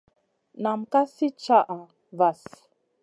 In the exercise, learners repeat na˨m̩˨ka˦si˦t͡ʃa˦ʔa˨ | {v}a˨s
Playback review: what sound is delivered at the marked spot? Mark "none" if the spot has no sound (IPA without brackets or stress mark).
v